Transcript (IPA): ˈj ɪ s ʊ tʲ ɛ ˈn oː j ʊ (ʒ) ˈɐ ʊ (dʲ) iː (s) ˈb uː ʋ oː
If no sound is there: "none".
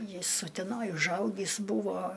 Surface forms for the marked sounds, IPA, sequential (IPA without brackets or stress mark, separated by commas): ʒ, ɡʲ, s